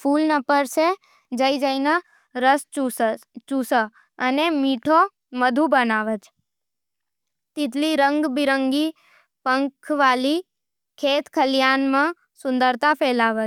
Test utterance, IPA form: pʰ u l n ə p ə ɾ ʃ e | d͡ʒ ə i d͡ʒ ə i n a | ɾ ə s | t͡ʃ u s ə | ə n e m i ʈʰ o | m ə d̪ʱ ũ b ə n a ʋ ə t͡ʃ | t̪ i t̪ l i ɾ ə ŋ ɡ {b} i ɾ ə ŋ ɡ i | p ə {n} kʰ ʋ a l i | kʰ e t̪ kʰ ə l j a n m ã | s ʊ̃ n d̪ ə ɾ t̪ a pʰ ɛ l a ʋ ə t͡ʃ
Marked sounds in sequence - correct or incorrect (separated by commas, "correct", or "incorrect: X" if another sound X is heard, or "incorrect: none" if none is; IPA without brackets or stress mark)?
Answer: correct, incorrect: ŋ